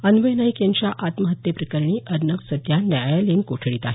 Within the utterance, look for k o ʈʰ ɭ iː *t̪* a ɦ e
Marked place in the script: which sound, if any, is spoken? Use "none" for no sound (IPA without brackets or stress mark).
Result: t̪